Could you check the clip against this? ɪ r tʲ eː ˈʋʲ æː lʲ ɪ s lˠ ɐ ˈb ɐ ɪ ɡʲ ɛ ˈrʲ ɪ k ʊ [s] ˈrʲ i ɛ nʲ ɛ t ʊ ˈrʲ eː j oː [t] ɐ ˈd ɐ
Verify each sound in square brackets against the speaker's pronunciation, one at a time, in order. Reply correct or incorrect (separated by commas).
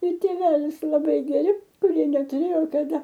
incorrect, incorrect